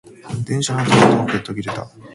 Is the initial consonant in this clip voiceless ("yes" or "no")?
no